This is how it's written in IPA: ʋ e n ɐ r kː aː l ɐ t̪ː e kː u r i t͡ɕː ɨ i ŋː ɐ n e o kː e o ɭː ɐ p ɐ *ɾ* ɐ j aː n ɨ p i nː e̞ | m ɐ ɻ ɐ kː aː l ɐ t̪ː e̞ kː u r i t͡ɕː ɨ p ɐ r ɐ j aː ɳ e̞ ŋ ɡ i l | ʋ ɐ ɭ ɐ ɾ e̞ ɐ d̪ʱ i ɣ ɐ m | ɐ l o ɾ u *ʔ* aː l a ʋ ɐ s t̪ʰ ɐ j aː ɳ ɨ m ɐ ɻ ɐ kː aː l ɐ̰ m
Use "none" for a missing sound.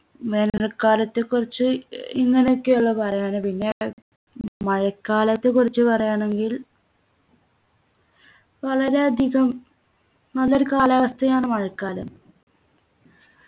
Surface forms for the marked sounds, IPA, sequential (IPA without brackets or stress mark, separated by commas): r, k